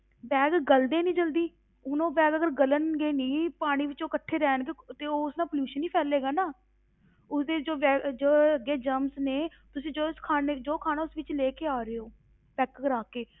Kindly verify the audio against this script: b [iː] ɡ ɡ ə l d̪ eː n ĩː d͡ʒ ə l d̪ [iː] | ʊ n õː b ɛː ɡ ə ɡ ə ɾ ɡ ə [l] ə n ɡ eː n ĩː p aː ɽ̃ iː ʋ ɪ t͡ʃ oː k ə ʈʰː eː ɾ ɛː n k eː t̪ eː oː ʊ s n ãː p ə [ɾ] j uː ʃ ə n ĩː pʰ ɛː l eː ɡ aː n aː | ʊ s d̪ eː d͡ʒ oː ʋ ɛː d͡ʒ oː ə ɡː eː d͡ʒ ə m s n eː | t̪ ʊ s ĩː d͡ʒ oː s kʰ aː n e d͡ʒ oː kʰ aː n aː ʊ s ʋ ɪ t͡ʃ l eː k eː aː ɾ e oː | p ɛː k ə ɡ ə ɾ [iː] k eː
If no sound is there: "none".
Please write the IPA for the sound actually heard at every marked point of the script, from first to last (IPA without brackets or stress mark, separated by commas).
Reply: ɛː, iː, l, l, aː